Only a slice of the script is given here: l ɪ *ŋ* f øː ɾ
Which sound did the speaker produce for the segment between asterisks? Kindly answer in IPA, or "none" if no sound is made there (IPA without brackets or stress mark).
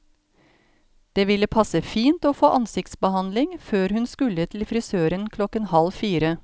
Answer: ŋ